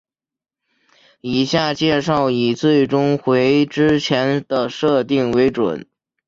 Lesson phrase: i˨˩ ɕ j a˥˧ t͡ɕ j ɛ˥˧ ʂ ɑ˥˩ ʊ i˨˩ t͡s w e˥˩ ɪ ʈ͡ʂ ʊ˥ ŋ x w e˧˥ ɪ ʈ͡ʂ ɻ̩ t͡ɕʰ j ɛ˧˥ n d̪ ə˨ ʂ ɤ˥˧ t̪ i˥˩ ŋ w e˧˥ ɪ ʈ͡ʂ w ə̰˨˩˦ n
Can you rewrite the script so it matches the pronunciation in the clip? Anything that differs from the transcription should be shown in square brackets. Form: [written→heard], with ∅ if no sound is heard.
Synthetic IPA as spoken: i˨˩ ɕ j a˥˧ t͡ɕ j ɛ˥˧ ʂ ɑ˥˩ ʊ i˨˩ t͡s w e˥˩ ɪ ʈ͡ʂ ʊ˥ ŋ x w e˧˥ ɪ ʈ͡ʂ ɻ̩ t͡ɕʰ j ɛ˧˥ n d̪ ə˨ ʂ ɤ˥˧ t̪ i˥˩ ŋ w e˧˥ ɪ ʈ͡ʂ w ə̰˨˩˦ n